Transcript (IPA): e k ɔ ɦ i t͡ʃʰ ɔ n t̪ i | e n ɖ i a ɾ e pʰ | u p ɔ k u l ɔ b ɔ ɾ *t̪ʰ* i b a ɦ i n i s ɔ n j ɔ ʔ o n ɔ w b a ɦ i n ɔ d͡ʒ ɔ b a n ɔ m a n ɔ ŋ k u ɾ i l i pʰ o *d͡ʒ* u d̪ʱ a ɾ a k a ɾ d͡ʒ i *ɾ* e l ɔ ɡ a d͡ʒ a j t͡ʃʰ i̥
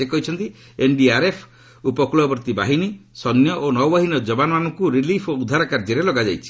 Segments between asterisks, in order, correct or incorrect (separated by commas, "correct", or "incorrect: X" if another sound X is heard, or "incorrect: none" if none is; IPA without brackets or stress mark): incorrect: t̪, incorrect: none, correct